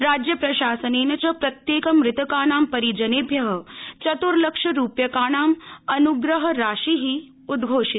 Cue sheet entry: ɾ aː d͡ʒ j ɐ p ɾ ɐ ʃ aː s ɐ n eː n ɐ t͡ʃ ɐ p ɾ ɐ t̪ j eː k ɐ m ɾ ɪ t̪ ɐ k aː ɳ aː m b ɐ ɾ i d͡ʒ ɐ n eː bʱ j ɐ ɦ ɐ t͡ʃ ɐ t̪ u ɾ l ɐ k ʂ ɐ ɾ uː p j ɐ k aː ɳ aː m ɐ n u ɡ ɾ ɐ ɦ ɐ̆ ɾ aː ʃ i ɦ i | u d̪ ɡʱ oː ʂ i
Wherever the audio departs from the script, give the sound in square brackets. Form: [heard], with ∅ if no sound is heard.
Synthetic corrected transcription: ɾ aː d͡ʒ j ɐ p ɾ ɐ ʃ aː s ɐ n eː n ɐ t͡ʃ ɐ p ɾ ɐ t̪ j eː k ɐ m ɾ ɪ t̪ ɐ k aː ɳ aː m [p] ɐ ɾ i d͡ʒ ɐ n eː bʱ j ɐ ɦ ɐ t͡ʃ ɐ t̪ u ɾ l ɐ k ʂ ɐ ɾ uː p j ɐ k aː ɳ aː m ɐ n u ɡ ɾ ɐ ɦ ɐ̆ ɾ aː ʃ i ɦ i | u d̪ ɡʱ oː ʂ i